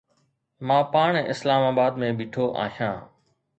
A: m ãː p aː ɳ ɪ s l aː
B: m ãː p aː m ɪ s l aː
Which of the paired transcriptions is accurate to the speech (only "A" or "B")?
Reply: A